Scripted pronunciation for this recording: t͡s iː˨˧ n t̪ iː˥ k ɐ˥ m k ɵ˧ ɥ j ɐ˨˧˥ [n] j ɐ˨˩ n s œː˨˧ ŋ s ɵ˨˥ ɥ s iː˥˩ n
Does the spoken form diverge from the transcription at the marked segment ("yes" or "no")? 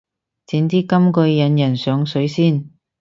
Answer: no